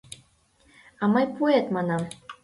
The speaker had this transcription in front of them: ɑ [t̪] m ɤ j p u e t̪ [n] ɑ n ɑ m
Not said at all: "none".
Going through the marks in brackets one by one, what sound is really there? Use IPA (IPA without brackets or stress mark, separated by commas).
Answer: none, m